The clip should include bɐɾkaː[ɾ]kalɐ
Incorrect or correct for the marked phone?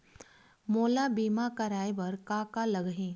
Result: incorrect: none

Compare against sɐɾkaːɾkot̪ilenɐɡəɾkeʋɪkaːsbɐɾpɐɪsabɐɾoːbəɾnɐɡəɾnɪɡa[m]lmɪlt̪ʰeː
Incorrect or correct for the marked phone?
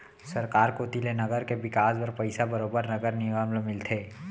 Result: correct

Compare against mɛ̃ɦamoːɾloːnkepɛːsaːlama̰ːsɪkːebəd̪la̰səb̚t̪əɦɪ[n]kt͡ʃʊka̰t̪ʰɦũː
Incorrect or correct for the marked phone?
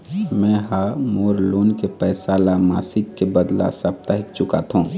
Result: incorrect: none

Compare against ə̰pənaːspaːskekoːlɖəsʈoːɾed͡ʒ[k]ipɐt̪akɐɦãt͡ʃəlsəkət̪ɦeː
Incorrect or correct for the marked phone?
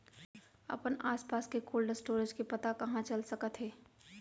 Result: correct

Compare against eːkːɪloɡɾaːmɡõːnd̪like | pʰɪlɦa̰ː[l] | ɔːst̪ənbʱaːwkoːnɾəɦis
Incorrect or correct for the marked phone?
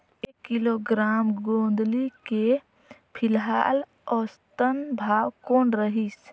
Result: correct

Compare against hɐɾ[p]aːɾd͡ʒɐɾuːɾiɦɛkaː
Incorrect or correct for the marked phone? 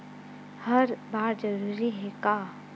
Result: incorrect: b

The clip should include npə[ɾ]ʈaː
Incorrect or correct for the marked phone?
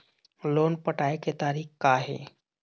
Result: incorrect: none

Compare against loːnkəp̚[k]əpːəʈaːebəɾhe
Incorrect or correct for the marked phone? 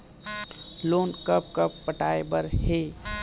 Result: correct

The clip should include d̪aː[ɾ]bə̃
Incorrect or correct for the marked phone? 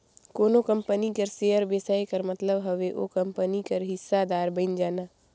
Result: correct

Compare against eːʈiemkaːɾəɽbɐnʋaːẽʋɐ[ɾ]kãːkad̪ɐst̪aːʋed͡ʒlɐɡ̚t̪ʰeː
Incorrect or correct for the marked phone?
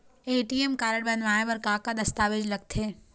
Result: correct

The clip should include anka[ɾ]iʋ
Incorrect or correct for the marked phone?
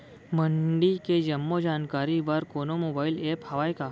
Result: correct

